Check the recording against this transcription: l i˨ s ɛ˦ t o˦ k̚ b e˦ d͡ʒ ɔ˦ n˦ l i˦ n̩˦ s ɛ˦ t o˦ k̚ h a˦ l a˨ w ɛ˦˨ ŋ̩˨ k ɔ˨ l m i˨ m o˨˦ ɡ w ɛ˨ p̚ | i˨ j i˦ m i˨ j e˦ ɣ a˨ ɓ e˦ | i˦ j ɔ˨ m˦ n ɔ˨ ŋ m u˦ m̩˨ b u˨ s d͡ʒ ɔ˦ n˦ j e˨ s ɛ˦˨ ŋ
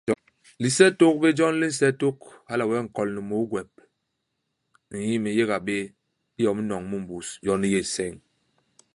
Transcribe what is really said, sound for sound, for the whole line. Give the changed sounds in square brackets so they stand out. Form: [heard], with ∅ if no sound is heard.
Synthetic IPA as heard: l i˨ s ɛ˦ t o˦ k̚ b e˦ d͡ʒ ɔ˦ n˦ l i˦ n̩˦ s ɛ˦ t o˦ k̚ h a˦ l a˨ w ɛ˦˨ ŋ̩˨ k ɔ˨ l [n] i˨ m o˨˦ ɡ w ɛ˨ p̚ | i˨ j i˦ m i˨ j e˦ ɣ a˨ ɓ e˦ | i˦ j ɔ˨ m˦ n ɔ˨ ŋ m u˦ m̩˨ b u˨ s d͡ʒ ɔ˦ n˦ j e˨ s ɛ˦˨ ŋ